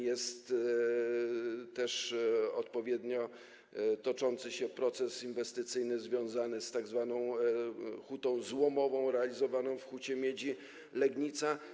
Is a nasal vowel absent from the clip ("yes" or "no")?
no